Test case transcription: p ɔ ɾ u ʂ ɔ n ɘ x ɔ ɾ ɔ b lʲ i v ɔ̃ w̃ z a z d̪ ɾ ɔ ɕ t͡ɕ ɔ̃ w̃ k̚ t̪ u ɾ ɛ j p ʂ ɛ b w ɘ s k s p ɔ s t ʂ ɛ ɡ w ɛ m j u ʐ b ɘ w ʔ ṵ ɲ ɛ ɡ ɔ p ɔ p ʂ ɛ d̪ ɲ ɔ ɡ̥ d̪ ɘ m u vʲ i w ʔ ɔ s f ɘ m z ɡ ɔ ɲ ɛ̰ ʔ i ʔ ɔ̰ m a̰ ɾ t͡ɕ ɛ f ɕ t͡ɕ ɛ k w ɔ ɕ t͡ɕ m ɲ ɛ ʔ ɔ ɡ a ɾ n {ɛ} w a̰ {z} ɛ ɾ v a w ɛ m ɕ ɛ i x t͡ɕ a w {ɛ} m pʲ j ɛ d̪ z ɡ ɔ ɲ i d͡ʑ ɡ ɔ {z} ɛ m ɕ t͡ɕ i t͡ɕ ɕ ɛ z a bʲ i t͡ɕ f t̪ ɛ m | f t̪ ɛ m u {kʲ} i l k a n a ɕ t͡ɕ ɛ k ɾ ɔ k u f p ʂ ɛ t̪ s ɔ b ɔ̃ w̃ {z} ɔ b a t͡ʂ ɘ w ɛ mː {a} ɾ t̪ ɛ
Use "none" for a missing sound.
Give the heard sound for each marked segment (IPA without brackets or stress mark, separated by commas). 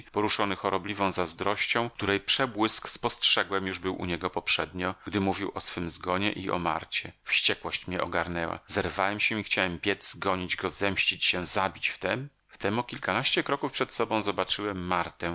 ɛ, z, ɛ, z, kʲ, z, a